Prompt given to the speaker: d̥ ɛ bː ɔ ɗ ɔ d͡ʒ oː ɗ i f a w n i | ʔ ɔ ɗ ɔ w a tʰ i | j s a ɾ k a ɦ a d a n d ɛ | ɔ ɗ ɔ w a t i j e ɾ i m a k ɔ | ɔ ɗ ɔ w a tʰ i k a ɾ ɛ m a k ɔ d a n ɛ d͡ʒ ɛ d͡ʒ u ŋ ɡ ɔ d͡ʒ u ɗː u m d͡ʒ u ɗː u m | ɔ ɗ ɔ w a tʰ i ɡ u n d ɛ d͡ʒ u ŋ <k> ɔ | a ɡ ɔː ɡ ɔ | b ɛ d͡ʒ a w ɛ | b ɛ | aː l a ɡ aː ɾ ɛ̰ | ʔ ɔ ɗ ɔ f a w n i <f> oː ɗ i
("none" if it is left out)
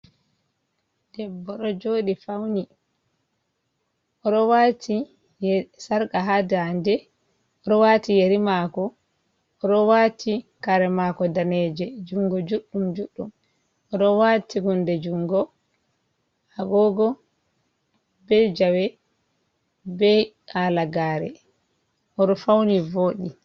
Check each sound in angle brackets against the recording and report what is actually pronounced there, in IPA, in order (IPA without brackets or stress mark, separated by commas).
ɡ, v